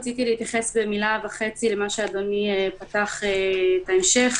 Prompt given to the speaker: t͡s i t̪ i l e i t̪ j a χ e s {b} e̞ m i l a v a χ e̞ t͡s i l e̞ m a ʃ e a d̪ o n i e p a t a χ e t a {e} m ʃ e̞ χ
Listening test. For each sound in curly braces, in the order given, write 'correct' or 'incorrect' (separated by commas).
correct, correct